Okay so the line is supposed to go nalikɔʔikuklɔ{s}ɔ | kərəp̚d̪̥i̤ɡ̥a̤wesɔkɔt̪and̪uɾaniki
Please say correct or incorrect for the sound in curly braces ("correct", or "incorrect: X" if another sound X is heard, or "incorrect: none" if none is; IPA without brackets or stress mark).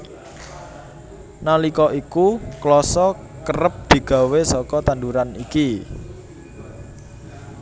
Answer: correct